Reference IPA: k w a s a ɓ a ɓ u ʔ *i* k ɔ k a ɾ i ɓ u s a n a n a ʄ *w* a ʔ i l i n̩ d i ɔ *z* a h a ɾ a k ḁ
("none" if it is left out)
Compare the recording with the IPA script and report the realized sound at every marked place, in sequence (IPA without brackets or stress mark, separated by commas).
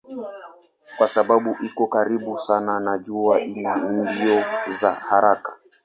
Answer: i, u, z